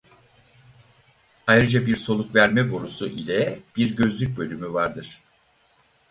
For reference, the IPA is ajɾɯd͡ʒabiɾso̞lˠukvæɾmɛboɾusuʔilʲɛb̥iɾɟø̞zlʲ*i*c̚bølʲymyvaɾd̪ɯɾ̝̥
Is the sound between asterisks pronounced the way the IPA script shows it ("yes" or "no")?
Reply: no